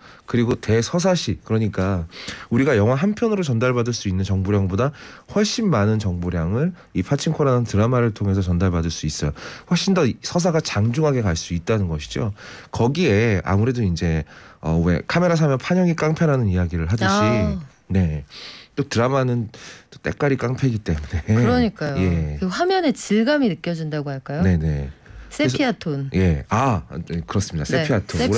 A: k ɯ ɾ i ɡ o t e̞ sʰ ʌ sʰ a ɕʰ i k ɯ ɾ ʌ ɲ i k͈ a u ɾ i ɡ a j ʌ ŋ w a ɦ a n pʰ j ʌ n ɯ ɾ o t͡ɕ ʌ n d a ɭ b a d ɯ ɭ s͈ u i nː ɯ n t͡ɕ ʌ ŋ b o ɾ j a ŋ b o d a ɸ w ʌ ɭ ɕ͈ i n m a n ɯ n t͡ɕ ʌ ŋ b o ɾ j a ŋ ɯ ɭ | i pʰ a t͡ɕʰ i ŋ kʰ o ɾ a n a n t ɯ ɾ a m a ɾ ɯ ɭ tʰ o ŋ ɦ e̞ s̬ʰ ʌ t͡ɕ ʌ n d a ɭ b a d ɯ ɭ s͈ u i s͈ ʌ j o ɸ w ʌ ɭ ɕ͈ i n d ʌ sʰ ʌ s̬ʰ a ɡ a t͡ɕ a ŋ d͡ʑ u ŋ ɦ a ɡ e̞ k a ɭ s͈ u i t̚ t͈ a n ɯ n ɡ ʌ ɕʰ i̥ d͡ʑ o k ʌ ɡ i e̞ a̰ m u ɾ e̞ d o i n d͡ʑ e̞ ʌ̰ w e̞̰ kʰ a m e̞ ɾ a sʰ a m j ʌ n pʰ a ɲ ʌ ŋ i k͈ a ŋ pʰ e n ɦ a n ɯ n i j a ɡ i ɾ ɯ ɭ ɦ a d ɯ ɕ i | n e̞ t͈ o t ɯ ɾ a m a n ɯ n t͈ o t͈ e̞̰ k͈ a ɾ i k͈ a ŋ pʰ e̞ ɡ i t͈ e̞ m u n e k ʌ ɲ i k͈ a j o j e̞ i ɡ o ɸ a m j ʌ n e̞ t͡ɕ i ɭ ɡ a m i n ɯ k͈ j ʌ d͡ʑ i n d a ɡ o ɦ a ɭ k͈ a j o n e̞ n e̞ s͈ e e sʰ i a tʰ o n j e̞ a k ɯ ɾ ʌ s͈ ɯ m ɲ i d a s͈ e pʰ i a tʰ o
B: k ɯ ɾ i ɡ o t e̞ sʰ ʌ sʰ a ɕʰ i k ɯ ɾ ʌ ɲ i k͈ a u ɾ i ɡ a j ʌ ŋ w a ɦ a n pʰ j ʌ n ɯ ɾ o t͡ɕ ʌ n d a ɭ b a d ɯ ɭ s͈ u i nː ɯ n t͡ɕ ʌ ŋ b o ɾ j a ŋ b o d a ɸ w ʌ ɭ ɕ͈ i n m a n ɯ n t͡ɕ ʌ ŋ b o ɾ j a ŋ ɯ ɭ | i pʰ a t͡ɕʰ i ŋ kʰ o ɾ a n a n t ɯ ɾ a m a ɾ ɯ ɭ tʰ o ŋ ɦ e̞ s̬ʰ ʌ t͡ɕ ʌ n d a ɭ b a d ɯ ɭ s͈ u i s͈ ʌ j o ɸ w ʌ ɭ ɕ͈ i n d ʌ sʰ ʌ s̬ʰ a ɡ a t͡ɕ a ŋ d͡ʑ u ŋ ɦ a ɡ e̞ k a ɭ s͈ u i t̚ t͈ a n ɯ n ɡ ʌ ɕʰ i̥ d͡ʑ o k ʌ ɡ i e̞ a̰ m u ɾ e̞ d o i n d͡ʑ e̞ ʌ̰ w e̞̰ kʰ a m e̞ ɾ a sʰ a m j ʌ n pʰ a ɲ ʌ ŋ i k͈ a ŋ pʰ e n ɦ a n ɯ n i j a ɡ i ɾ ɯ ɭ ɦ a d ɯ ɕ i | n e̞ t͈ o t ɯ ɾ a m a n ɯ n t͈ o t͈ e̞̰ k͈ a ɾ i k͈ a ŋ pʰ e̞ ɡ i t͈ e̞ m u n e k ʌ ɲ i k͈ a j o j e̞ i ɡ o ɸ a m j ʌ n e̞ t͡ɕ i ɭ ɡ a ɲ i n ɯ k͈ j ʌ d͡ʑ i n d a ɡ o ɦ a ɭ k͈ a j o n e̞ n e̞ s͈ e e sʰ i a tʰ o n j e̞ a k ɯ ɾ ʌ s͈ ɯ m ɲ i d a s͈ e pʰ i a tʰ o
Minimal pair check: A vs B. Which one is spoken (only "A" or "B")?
A